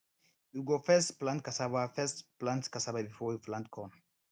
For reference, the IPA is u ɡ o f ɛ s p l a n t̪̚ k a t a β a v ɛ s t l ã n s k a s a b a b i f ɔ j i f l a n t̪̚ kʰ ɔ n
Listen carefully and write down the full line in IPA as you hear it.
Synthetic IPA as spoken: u ɡ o f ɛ s p l a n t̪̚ k a s a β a f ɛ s p l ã n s k a s a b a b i f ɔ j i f l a n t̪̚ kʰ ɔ n